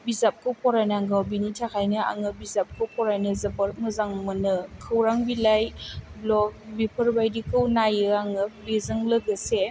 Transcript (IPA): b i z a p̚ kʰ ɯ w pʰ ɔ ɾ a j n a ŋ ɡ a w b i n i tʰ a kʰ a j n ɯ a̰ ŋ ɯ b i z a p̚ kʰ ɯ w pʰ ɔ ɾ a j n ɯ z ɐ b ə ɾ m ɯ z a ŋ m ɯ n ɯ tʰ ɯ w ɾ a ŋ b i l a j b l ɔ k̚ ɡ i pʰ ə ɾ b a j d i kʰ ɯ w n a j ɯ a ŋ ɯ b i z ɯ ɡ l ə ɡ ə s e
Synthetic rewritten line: b i z a p̚ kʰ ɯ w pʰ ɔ ɾ a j n a ŋ ɡ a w b i n i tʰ a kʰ a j n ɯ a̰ ŋ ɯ b i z a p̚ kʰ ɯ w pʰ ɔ ɾ a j n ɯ z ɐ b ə ɾ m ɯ z a ŋ m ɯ n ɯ kʰ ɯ w ɾ a ŋ b i l a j b l ɔ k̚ b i pʰ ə ɾ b a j d i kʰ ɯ w n a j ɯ a ŋ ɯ b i z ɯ ŋ l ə ɡ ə s e

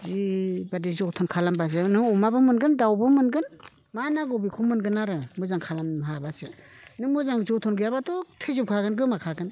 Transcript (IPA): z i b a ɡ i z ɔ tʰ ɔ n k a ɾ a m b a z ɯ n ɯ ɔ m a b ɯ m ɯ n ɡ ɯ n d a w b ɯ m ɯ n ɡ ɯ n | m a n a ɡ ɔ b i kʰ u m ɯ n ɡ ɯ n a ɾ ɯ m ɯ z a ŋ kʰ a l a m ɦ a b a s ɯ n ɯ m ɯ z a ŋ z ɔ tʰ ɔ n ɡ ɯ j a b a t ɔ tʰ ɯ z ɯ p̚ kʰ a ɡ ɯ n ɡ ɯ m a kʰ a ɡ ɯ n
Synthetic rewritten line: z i b a d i z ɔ tʰ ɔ n kʰ a l a m b a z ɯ n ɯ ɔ m a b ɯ m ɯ n ɡ ɯ n d a w b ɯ m ɯ n ɡ ɯ n | m a n a ɡ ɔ b i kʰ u m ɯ n ɡ ɯ n a ɾ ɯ m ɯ z a ŋ kʰ a l a m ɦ a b a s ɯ n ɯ m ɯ z a ŋ z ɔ tʰ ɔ n ɡ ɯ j a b a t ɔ tʰ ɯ z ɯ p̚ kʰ a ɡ ɯ n ɡ ɯ m a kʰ a ɡ ɯ n

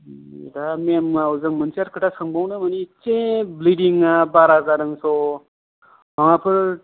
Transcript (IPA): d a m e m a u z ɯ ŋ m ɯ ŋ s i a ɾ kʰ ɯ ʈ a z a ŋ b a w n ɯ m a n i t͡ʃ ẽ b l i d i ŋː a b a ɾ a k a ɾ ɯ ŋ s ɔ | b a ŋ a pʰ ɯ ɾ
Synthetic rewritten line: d a m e m a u z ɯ ŋ m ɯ n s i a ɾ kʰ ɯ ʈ a s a ŋ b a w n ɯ m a n i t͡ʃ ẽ b l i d i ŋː a b a ɾ a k a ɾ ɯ ŋ s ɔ | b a ŋ a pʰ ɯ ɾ

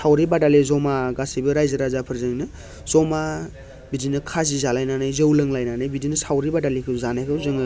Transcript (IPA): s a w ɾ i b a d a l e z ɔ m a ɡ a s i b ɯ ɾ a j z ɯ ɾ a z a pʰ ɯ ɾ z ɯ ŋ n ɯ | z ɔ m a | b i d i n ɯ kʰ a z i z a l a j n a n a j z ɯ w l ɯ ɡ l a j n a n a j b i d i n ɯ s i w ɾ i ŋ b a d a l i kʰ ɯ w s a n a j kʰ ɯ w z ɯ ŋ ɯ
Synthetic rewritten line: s a w ɾ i b a d a l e z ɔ m a ɡ a s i b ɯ ɾ a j z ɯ ɾ a z a pʰ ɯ ɾ z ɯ ŋ n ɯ | z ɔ m a | b i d i n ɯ kʰ a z i z a l a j n a n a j z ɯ w l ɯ ŋ l a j n a n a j b i d i n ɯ s a w ɾ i b a d a l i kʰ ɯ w z a n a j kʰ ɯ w z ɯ ŋ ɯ

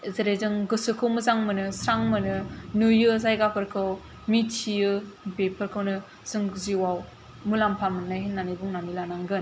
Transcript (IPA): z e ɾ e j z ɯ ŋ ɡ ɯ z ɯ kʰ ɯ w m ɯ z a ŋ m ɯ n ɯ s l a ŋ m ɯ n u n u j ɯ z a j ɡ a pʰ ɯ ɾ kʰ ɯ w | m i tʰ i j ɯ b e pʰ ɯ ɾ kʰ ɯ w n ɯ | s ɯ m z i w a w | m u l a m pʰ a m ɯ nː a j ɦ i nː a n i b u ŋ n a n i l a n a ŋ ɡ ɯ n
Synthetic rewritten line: z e ɾ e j z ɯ ŋ ɡ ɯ s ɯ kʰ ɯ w m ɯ z a ŋ m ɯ n ɯ s ɾ a ŋ m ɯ n ɯ n u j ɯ z a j ɡ a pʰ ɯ ɾ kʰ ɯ w | m i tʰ i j ɯ b e pʰ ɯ ɾ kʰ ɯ w n ɯ | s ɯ ŋ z i w a w | m u l a m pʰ a m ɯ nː a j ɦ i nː a n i b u ŋ n a n i l a n a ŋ ɡ ɯ n

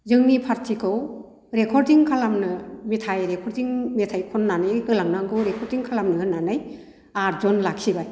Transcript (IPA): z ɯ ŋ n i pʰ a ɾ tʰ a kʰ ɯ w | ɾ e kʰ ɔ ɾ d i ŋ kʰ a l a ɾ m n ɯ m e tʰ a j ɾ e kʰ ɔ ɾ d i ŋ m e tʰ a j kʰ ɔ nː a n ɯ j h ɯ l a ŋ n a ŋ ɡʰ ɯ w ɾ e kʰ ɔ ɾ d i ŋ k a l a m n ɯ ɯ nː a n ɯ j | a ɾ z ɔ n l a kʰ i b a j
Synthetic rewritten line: z ɯ ŋ n i pʰ a ɾ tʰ i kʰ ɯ w | ɾ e kʰ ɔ ɾ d i ŋ kʰ a l a m n ɯ m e tʰ a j ɾ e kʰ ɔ ɾ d i ŋ m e tʰ a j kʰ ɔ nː a n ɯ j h ɯ l a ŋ n a ŋ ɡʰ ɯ w ɾ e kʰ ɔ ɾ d i ŋ kʰ a l a m n ɯ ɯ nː a n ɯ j | a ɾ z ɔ n l a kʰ i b a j

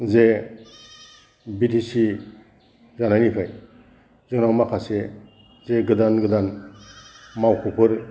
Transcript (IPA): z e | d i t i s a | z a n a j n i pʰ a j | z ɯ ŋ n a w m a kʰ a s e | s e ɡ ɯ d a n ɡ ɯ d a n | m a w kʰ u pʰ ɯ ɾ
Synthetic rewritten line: z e | b i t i s i | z a n a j n i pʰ a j | z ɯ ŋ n a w m a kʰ a s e | z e ɡ ɯ d a n ɡ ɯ d a n | m a w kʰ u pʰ ɯ ɾ

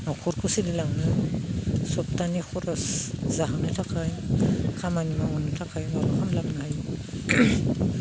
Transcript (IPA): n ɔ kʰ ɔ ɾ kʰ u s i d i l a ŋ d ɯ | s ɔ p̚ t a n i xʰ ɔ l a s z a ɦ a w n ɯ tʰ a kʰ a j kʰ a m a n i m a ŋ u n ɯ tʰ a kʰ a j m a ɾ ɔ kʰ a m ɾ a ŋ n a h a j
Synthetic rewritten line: n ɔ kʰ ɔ ɾ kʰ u s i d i l a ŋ n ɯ | s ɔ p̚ t a n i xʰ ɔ ɾ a s z a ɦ a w n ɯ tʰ a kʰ a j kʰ a m a n i m a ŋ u n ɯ tʰ a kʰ a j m a ɾ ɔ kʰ a m l a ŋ n a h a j

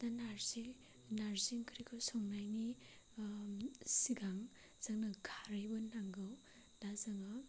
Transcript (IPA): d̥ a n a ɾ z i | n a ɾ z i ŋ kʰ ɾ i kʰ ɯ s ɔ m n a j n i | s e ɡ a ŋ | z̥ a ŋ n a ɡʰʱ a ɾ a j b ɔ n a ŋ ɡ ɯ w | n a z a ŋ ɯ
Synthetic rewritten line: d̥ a n a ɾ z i | n a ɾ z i ŋ kʰ ɾ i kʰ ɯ s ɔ ŋ n a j n i | s i ɡ a ŋ | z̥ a ŋ n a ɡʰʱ a ɾ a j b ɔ n a ŋ ɡ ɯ w | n a z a ŋ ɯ

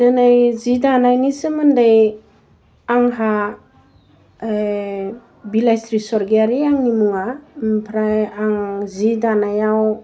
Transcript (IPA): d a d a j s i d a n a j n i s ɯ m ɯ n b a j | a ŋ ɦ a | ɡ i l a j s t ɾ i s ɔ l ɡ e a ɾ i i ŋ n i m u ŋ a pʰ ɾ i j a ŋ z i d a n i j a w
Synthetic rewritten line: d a n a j z i d a n a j n i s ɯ m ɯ n d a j | a ŋ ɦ a | b i l a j s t ɾ i s ɔ ɾ ɡ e a ɾ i a ŋ n i m u ŋ a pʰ ɾ a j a ŋ z i d a n a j a w

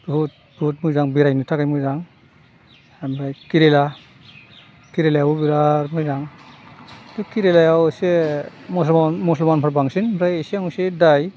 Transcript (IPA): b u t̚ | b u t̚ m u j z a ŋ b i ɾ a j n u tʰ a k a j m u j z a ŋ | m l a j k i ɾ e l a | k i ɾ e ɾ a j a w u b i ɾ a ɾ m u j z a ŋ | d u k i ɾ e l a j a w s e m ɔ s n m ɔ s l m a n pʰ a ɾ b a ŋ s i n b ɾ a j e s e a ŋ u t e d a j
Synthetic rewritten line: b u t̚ | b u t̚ m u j z a ŋ b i ɾ a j n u tʰ a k a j m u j z a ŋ | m ɾ a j k i ɾ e l a | k i ɾ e l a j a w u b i ɾ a ɾ m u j z a ŋ | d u k i ɾ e l a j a w s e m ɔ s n m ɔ s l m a n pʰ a ɾ b a ŋ s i n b ɾ a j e s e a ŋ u s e d a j

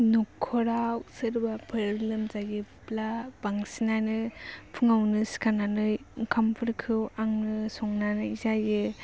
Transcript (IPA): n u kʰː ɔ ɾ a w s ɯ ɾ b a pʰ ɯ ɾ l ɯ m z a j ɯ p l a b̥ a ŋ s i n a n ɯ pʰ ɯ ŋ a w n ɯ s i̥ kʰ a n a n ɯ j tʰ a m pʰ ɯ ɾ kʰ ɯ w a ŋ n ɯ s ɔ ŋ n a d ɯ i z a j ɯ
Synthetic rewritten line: n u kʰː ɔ ɾ a w s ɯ ɾ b a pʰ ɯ ɾ l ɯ m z a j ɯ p l a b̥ a ŋ s i n a n ɯ pʰ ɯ ŋ a w n ɯ s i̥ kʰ a n a n ɯ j kʰ a m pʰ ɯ ɾ kʰ ɯ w a ŋ n ɯ s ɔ ŋ n a n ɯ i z a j ɯ

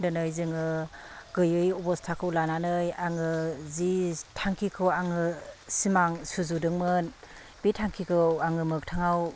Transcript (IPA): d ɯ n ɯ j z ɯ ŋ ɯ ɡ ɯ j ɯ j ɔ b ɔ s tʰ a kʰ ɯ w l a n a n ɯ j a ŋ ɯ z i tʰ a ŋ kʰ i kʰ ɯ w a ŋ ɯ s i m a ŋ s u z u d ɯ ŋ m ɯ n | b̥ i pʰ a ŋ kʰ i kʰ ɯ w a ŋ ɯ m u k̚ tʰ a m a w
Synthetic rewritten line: d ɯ n ɯ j z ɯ ŋ ɯ ɡ ɯ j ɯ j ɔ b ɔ s tʰ a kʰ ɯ w l a n a n ɯ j a ŋ ɯ z i tʰ a ŋ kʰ i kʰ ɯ w a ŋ ɯ s i m a ŋ s u z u d ɯ ŋ m ɯ n | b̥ i tʰ a ŋ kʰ i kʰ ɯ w a ŋ ɯ m ɯ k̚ tʰ a ŋ a w

